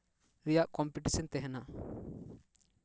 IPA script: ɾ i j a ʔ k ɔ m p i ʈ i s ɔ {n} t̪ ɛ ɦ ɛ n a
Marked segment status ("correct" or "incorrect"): correct